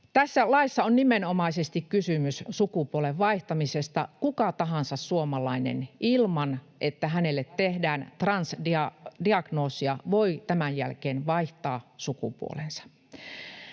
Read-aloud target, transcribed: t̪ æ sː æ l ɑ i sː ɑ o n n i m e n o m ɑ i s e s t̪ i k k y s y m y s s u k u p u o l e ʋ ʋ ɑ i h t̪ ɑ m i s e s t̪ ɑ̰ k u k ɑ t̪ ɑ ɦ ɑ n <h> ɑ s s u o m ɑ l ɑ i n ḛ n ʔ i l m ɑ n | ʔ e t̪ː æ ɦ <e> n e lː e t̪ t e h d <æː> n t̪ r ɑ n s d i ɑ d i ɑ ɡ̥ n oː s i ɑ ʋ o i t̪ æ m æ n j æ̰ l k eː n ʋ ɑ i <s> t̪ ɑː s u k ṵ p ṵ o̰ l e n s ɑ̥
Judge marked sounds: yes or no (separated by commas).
no, no, yes, no